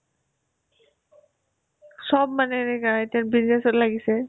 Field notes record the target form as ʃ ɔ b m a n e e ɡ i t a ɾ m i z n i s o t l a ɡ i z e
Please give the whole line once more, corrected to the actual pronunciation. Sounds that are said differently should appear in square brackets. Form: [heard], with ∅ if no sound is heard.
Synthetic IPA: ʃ ɔ b m a n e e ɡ [a] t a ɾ [b] i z n [e] s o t l a ɡ i [s] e